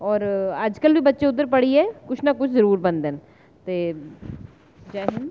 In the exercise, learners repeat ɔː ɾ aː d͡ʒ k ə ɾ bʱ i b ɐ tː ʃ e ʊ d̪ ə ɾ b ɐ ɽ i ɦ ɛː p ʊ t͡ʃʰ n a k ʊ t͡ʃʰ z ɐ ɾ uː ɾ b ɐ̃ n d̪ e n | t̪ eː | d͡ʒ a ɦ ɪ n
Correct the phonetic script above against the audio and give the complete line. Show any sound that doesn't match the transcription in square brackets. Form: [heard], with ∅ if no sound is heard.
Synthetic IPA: ɔː ɾ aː d͡ʒ k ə [l] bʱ i b ɐ tː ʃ e ʊ d̪ ə ɾ [p] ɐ ɽ i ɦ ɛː [k] ʊ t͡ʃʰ n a k ʊ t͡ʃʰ z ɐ ɾ uː ɾ b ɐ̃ n d̪ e n | t̪ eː | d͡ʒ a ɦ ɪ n